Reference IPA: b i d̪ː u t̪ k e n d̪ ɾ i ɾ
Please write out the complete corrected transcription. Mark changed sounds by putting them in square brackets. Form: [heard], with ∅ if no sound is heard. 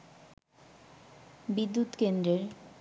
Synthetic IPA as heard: b i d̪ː u t̪ k e n d̪ ɾ [e] ɾ

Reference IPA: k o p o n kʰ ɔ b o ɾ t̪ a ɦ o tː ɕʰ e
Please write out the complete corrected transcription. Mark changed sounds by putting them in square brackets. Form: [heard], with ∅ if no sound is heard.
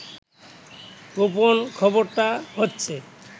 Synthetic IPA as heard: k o p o n kʰ ɔ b o ɾ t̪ a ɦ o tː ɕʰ e

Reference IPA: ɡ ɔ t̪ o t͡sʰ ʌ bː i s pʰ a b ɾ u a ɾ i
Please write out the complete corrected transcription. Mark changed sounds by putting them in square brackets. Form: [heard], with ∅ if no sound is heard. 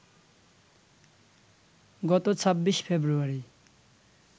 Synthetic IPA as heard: ɡ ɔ t̪ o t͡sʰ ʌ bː i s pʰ [e] b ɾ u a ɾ i

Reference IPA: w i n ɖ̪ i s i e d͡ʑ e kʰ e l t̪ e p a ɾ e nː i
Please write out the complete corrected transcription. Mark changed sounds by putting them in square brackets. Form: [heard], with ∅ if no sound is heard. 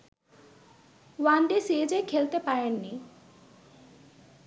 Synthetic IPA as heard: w [a] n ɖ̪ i s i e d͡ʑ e kʰ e l t̪ e p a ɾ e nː i

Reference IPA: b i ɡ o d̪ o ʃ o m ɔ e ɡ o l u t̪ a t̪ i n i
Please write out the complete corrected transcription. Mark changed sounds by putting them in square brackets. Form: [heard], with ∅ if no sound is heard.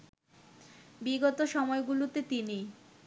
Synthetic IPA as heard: b i ɡ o [t̪] o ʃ [ɔ] m ɔ e ɡ [u] l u t̪ [e] t̪ i n i

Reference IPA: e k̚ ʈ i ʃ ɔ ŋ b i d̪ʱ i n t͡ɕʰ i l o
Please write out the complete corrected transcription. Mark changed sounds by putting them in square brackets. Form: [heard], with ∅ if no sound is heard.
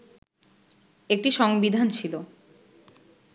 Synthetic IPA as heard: e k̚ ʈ i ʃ ɔ ŋ b i d̪ʱ [a] n t͡ɕʰ i l o

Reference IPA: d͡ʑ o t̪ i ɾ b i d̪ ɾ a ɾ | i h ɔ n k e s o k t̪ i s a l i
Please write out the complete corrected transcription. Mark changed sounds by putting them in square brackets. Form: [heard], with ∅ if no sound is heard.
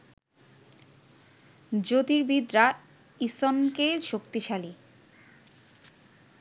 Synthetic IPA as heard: d͡ʑ o t̪ i ɾ b i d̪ ɾ a [∅] | i [s] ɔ n k e [ʃ] o k t̪ i [ʃ] a l i

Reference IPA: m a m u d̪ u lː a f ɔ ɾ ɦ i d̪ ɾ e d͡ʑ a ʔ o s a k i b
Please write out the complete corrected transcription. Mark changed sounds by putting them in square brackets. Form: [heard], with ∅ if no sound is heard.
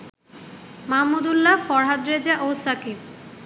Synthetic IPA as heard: m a m u d̪ u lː a f ɔ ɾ ɦ [a] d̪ ɾ e d͡ʑ a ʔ o s a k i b

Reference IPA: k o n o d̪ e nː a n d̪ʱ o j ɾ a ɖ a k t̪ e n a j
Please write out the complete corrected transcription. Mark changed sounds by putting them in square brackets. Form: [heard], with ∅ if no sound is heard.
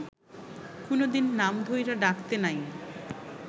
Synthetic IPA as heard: k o n o d̪ [i] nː a [m] d̪ʱ o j ɾ a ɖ a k t̪ e n a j

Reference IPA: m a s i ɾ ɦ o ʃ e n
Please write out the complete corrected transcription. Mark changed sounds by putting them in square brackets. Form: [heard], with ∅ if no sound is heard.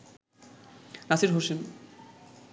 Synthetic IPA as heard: [n] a s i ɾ ɦ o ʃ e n

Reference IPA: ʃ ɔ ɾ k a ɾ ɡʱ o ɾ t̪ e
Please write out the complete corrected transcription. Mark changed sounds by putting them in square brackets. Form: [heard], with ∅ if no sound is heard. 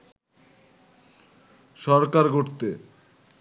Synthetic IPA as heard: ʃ ɔ ɾ k a ɾ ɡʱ o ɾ t̪ e

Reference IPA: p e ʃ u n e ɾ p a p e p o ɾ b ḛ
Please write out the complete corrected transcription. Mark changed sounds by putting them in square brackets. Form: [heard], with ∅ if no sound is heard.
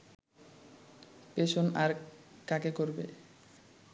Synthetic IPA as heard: p e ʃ [o] n [a] ɾ [k] a [k] e [k] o ɾ b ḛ

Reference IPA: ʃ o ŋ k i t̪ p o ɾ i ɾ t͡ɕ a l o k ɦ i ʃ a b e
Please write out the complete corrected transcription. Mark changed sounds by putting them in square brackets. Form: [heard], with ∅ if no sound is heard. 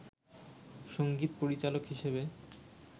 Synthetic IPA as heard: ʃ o ŋ [ɡ] i t̪ p o ɾ i [∅] t͡ɕ a l o k ɦ i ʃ [e] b e

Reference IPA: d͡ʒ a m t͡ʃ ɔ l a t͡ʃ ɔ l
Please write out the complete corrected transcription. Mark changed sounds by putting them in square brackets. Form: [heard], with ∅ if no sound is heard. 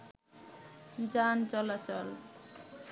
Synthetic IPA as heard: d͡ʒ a [n] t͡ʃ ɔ l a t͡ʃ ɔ l

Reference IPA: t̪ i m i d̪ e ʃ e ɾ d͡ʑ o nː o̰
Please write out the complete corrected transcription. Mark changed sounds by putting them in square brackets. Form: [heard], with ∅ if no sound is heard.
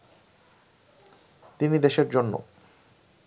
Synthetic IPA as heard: t̪ i [n] i d̪ e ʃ e ɾ d͡ʑ o nː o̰

